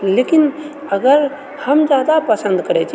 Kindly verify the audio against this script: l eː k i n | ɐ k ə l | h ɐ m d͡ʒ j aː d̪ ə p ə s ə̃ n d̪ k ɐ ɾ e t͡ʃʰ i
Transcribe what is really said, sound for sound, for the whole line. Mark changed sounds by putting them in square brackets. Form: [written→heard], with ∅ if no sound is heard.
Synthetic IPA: l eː k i n | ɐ [k→ɡ] ə [l→ɾ] | h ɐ m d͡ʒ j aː d̪ [ə→a] p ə s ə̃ n d̪ k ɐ ɾ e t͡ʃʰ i

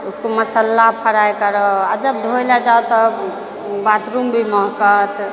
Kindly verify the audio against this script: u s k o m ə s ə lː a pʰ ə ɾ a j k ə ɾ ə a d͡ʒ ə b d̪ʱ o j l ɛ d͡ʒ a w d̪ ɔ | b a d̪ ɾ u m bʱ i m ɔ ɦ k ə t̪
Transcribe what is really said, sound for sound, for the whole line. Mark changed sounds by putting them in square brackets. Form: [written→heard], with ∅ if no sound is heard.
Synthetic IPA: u s k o m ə s ə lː a pʰ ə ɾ a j k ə ɾ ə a d͡ʒ ə b d̪ʱ o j l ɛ d͡ʒ a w [d̪→t̪] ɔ | b a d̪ ɾ u m bʱ i m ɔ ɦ k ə t̪

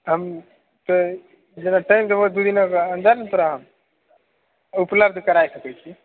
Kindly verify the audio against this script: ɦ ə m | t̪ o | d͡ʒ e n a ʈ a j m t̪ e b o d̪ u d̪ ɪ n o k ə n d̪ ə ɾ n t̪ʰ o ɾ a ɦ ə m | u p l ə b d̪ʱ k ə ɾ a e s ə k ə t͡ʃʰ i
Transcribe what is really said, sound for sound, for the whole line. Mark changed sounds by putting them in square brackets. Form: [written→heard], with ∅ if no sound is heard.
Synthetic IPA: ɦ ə m | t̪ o | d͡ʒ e n a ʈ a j m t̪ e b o d̪ u d̪ [ɪ→i] n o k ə n d̪ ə ɾ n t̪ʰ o ɾ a ɦ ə m | u p l ə b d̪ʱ k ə ɾ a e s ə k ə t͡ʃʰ i

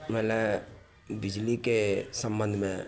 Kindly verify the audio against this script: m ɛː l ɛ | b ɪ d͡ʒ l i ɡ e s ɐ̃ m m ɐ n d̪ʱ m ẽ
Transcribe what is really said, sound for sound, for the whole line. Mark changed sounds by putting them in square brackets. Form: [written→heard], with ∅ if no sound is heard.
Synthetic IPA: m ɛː l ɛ | b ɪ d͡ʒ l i [ɡ→k] e s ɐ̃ m [m→b] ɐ n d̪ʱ m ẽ

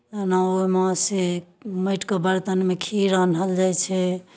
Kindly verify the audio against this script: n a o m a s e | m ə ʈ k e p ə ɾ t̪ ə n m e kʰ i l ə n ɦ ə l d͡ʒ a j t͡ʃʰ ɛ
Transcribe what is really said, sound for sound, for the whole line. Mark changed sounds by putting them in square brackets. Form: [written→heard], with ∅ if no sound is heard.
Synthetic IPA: n a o m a s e | m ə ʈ k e [p→b] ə ɾ t̪ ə n m e kʰ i [l→ɾ] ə n ɦ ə l d͡ʒ a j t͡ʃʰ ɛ

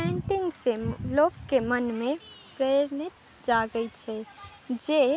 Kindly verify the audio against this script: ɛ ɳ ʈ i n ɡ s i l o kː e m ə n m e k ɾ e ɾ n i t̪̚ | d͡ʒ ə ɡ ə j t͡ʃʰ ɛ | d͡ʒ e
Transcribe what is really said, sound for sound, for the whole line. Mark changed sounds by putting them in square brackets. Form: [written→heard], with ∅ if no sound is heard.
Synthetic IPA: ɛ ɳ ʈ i [n→ŋ] ɡ s [i→e] l o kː e m ə n m e [k→p] ɾ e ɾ n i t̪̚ | d͡ʒ [ə→a] ɡ ə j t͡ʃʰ ɛ | d͡ʒ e

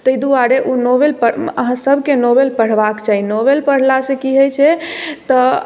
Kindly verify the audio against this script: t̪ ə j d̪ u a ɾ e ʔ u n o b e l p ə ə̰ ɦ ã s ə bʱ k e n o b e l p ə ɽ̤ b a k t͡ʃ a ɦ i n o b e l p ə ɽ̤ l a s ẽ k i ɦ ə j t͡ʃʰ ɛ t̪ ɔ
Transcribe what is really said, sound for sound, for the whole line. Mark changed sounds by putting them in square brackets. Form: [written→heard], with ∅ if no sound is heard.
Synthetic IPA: t̪ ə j d̪ u a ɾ e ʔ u n o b e l p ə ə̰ ɦ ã s ə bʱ k e n o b e l p ə ɽ̤ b a k t͡ʃ a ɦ i n o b e l p ə ɽ̤ l a s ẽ k i ɦ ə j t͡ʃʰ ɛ t̪ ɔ

